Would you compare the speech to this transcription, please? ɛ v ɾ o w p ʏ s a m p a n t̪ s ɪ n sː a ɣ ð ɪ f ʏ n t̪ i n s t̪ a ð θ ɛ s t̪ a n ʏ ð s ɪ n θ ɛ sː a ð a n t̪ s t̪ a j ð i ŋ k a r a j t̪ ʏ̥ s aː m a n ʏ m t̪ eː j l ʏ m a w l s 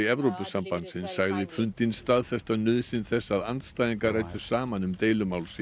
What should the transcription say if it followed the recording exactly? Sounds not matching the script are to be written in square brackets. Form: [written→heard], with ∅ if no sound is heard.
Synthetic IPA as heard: ɛ v ɾ o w p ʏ s a m p a n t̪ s ɪ n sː a ɣ ð ɪ f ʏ n t̪ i n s t̪ a ð θ ɛ s t̪ a n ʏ ð s ɪ n θ ɛ sː a ð a n t̪ s t̪ a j ð i ŋ k a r a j t̪ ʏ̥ s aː m a n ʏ m t̪ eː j l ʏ m a w l s